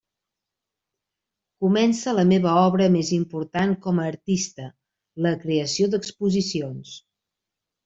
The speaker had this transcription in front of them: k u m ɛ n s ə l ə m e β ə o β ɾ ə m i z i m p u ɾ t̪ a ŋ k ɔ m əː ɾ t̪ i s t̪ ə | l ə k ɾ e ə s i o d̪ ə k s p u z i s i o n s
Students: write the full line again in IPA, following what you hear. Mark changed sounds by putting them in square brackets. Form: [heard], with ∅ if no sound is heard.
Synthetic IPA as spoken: k u m ɛ n s ə l ə m e β ə [ɔ] β ɾ ə m [e] z i m p u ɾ t̪ a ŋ k ɔ m əː ɾ t̪ i s t̪ ə | l ə k ɾ e ə s i o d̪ ə k s p u z i s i o n s